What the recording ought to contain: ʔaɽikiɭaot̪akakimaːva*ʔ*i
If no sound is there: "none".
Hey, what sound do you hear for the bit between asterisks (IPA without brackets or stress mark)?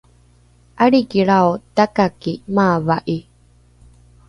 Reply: ʔ